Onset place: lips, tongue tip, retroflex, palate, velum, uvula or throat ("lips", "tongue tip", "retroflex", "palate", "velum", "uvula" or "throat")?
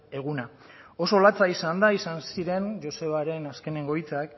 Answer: velum